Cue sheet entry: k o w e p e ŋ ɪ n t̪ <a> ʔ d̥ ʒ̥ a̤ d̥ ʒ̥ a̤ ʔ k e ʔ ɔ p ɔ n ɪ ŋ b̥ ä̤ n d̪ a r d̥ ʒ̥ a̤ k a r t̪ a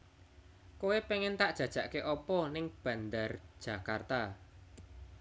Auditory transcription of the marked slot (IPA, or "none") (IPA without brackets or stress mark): a